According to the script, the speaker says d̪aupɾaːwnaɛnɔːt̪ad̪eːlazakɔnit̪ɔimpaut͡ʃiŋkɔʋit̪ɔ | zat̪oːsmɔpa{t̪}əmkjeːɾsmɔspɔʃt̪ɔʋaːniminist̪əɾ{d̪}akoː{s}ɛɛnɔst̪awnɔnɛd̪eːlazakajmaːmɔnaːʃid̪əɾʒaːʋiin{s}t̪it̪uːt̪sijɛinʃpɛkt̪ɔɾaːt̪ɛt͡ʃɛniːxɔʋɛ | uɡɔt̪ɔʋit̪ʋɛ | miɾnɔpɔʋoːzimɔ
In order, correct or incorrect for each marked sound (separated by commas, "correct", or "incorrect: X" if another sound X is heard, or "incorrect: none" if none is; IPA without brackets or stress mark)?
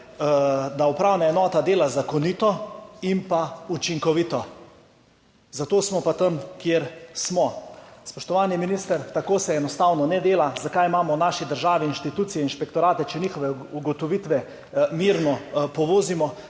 correct, incorrect: t̪, correct, incorrect: ʃ